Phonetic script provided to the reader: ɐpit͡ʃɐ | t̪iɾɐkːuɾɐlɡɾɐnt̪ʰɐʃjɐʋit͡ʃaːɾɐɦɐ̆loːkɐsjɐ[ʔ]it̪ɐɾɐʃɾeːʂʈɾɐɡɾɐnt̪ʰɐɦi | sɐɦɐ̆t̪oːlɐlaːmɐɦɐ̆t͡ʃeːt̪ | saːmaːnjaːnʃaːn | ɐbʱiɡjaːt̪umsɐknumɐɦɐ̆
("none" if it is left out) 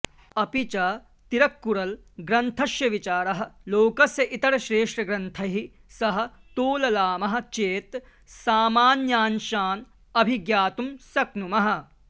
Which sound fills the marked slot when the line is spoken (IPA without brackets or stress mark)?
ʔ